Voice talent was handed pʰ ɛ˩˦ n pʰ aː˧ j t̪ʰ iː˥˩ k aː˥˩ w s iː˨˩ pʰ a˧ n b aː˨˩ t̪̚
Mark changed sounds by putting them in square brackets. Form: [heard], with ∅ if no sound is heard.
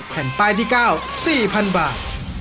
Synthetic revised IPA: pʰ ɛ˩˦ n [p] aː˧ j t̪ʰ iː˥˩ k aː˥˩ w s iː˨˩ pʰ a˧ n b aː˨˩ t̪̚